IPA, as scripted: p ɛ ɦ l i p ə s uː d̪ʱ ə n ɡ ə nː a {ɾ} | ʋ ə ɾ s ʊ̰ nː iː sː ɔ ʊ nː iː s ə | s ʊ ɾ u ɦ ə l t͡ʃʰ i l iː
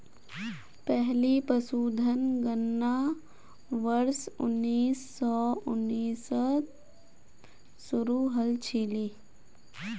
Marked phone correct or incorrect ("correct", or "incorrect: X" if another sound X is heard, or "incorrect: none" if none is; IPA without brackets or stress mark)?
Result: incorrect: none